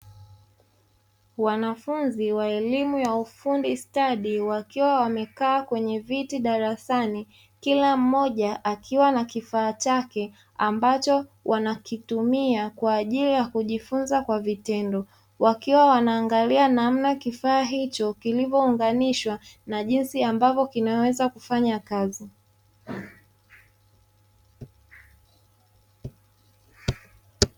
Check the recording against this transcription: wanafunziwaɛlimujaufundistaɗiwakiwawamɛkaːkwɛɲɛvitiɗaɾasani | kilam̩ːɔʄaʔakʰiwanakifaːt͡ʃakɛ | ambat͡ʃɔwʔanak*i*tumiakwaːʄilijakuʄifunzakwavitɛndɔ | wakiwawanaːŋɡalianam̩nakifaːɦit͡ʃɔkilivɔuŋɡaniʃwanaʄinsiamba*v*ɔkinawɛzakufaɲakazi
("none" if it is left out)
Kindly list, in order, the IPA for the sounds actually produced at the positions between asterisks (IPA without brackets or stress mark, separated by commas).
i, v